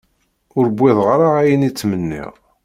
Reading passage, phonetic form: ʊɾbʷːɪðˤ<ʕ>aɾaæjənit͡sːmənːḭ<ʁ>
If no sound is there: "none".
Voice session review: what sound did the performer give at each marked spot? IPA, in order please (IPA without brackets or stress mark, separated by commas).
ʁ, ʁ